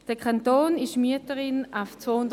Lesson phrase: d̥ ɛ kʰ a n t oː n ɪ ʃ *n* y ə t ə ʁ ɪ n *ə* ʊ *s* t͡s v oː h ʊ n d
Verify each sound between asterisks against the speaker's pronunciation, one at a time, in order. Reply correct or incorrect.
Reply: incorrect: m, incorrect: a, incorrect: f

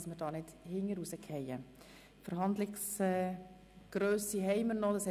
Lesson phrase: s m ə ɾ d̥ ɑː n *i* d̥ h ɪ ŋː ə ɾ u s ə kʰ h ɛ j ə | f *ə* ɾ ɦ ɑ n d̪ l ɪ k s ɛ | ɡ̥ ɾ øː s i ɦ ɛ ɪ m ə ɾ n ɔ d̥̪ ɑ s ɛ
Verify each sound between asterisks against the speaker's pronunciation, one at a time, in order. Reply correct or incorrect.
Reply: incorrect: ɪ, correct

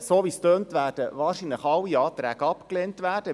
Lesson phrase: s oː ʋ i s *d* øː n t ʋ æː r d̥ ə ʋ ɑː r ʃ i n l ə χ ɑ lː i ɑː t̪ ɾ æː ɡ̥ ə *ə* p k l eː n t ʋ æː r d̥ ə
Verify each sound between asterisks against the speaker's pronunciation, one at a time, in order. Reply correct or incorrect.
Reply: incorrect: t, incorrect: ɑ

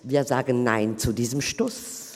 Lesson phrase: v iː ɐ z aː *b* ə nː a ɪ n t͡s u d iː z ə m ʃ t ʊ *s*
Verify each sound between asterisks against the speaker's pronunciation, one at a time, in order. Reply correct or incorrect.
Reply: incorrect: ɡ, correct

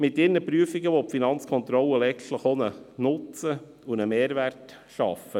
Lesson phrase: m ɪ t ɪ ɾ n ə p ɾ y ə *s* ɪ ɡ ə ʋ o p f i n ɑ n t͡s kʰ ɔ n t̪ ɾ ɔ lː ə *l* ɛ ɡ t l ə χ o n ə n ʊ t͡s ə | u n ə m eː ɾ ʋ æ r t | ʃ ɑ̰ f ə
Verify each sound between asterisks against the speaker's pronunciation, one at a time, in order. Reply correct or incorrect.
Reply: incorrect: f, correct

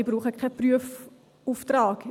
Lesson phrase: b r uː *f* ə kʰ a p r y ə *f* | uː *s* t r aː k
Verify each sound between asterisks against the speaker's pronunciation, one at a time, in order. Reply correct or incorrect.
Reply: incorrect: χ, correct, incorrect: f

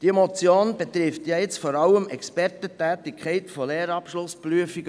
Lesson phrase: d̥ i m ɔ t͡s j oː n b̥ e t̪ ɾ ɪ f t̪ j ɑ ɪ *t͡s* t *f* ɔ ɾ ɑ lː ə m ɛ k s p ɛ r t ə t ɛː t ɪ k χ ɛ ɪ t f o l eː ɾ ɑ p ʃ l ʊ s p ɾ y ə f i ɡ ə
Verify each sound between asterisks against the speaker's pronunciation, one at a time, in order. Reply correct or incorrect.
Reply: correct, correct

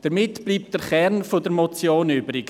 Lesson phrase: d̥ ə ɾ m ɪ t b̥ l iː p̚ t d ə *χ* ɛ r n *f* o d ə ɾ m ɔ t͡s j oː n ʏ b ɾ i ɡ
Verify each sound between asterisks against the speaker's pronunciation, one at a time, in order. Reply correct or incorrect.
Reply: correct, correct

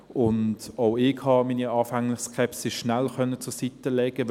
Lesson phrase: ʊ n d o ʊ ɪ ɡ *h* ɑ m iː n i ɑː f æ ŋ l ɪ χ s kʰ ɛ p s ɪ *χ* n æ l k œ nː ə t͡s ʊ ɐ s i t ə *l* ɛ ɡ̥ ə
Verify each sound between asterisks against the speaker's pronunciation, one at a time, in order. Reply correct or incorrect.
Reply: correct, incorrect: ʃ, correct

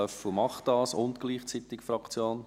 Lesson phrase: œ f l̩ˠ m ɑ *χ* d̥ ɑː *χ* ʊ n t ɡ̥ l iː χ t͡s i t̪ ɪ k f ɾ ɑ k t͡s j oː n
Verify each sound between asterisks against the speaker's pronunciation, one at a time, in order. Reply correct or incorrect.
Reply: correct, incorrect: s

